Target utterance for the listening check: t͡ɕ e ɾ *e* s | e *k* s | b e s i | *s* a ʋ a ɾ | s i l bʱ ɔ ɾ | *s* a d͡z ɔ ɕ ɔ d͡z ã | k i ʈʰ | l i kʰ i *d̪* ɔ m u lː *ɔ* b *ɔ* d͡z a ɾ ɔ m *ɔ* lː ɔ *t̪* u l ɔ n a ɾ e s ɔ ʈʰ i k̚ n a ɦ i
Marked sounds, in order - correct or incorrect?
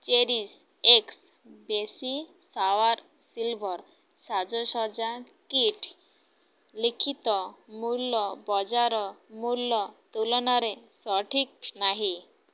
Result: incorrect: i, correct, correct, correct, incorrect: t̪, correct, correct, incorrect: u, correct

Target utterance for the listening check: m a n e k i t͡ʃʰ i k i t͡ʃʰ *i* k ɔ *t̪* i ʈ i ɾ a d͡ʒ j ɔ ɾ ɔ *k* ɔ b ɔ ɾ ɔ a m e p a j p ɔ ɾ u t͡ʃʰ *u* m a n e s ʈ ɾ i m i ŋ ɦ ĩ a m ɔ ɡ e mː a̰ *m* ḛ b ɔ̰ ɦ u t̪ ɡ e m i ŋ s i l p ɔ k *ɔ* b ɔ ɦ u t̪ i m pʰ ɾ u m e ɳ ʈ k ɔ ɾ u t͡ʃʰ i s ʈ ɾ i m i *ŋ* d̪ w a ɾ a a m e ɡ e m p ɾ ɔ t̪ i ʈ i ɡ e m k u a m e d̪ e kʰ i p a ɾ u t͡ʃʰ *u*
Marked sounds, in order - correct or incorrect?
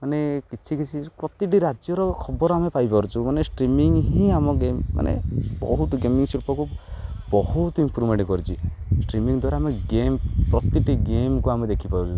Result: correct, correct, incorrect: kʰ, correct, incorrect: n, incorrect: u, correct, correct

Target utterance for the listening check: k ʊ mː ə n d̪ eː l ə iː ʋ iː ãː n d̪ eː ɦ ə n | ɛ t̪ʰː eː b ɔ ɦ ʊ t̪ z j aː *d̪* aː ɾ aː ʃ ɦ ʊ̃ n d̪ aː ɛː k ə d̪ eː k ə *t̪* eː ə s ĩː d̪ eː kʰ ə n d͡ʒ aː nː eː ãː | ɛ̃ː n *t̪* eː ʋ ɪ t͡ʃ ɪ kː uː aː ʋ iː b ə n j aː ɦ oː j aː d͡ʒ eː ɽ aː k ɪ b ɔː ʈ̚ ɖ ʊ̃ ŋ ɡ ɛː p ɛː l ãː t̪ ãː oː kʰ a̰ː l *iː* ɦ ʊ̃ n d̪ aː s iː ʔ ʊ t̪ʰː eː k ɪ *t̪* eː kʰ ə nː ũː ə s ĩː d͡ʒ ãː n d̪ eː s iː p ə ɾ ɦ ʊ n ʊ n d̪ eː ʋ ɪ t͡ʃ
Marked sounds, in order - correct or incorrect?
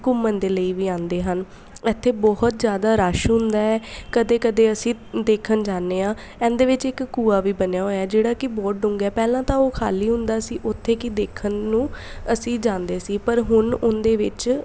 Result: correct, incorrect: d̪, incorrect: d̪, correct, incorrect: d̪

